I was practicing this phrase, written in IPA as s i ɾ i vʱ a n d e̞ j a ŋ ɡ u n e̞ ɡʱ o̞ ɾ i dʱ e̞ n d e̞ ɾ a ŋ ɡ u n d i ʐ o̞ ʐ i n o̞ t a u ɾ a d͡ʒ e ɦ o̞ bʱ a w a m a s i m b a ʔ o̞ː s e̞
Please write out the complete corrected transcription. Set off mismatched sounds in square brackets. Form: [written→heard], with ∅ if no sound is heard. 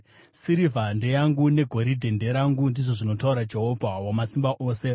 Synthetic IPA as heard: s i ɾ i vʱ a n d e̞ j a ŋ ɡ u n e̞ ɡʱ o̞ ɾ i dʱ e̞ n d e̞ ɾ a ŋ ɡ u n d i ʐ o̞ ʐ i n o̞ t a u ɾ a d͡ʒ e ɦ o̞ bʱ a w a m a s i m b a ʔ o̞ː s e̞